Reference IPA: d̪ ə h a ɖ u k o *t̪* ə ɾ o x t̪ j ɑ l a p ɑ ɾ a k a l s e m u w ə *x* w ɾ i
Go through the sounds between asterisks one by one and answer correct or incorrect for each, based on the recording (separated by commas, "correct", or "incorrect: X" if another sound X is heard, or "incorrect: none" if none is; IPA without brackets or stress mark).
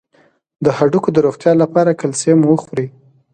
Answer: incorrect: d̪, correct